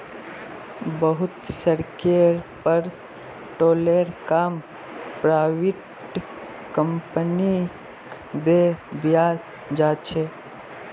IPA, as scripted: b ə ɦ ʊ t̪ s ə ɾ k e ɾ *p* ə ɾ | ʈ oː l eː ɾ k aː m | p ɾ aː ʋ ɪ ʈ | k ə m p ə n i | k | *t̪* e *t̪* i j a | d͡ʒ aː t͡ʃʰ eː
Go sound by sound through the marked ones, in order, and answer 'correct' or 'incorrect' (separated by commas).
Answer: correct, incorrect, incorrect